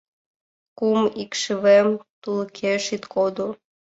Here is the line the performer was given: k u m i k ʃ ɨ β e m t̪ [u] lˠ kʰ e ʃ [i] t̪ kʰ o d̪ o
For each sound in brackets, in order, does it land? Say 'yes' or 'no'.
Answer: yes, yes

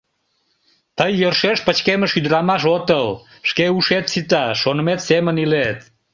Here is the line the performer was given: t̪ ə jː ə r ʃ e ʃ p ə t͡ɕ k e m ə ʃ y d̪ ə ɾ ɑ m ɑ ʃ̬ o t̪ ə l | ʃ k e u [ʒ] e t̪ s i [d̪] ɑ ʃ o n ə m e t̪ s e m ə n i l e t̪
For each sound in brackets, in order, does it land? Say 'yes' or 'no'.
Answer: no, no

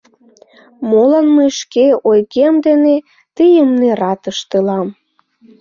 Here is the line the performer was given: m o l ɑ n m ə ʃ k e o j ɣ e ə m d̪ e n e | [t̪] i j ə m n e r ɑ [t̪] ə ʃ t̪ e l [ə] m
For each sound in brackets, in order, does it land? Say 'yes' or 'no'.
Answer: yes, yes, no

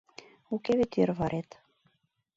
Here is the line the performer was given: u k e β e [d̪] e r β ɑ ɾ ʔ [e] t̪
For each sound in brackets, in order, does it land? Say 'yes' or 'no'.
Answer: no, yes

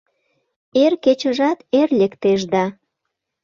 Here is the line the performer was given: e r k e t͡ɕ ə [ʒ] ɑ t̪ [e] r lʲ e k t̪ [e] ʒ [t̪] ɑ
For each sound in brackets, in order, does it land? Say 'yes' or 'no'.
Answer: yes, yes, yes, no

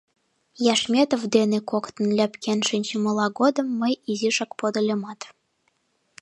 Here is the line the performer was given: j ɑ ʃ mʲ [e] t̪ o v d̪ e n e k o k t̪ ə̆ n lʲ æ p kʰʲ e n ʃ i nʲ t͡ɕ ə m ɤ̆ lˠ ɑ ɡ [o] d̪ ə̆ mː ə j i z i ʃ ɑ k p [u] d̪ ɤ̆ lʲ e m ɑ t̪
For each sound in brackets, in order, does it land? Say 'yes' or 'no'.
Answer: yes, yes, no

